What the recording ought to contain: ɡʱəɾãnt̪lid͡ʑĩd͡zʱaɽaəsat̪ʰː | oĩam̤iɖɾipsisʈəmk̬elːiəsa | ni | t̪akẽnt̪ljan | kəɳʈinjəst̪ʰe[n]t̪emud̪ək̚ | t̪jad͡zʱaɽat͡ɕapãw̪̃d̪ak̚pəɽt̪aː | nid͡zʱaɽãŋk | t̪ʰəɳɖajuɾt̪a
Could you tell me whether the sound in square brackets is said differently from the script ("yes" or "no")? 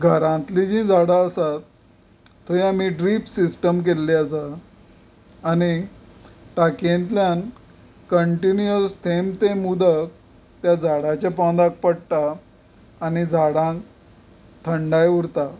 yes